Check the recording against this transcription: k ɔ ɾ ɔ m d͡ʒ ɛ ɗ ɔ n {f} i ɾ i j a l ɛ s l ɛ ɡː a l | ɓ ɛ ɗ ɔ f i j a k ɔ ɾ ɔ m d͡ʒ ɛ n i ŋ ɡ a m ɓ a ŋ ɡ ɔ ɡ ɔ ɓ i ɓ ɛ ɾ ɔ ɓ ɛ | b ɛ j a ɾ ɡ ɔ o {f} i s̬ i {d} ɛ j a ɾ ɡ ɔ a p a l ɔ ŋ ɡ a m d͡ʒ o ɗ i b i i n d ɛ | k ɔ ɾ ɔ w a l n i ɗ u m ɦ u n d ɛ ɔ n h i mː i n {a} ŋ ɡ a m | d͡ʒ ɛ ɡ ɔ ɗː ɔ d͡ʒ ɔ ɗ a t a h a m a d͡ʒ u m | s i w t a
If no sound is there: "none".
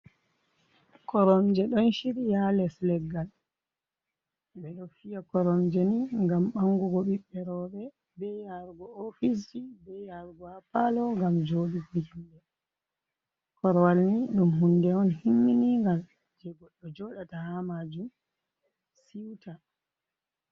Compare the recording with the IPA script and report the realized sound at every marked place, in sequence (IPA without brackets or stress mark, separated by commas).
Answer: ʃ, f, b, i